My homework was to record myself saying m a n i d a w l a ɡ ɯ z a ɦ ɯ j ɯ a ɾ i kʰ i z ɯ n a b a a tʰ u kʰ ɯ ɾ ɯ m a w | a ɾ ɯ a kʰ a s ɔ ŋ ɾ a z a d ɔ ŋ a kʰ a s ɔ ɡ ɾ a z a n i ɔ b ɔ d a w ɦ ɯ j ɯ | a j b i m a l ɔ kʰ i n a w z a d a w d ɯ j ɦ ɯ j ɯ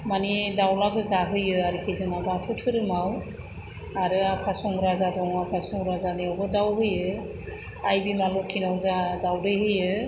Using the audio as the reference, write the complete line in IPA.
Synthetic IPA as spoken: m a n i d a w l a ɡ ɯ z a ɦ ɯ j ɯ a ɾ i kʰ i z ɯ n a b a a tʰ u tʰ ɯ ɾ ɯ m a w | a ɾ ɯ a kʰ a s ɔ ŋ ɾ a z a d ɔ ŋ a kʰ a s ɔ ŋ ɾ a z a n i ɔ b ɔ d a w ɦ ɯ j ɯ | a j b i m a l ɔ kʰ i n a w z a d a w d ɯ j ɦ ɯ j ɯ